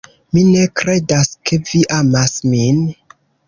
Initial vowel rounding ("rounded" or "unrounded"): unrounded